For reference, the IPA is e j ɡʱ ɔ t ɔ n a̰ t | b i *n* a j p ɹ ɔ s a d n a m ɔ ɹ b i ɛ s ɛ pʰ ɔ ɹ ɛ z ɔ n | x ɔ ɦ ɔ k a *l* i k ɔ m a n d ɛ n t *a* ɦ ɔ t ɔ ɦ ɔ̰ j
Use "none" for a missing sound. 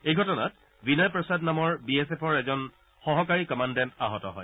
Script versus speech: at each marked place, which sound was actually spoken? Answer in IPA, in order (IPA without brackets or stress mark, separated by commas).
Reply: n, ɹ, a